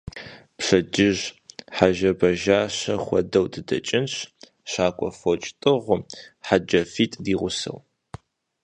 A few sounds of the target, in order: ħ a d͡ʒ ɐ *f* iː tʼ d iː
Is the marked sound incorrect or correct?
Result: correct